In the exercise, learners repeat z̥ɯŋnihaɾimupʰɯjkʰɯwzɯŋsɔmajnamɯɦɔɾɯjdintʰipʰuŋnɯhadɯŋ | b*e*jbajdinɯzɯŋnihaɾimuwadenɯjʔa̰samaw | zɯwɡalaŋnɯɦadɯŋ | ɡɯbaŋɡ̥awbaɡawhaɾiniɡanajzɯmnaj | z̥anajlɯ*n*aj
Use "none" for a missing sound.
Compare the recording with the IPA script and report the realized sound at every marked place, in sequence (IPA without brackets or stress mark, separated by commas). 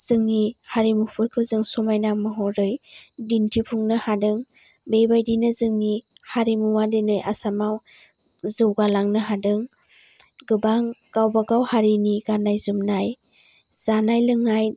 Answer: e, ŋ